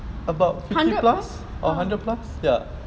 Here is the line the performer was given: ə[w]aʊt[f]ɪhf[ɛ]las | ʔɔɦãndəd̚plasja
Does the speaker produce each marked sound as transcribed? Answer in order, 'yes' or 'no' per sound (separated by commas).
no, yes, no